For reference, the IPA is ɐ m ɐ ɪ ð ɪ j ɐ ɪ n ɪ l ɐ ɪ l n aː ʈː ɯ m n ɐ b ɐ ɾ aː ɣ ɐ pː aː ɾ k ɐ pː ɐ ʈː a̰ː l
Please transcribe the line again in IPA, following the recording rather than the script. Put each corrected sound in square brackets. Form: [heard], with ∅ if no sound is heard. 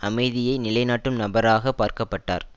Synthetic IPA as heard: ɐ m ɐ ɪ ð ɪ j ɐ ɪ n ɪ l ɐ ɪ [∅] n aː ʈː ɯ m n ɐ b ɐ ɾ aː ɣ ɐ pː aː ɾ k ɐ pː ɐ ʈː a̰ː [ɾ]